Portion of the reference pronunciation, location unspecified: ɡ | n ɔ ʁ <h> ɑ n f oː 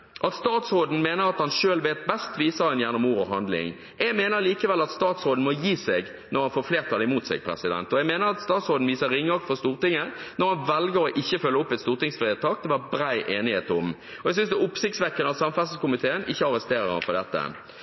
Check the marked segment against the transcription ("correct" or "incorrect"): correct